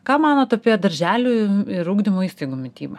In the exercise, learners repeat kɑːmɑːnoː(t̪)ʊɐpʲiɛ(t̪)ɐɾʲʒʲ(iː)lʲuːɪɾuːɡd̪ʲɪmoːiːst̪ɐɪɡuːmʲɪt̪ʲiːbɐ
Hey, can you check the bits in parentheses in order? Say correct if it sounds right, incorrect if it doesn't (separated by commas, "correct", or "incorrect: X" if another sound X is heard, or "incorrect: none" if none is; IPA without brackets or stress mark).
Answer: correct, incorrect: d̪, incorrect: æː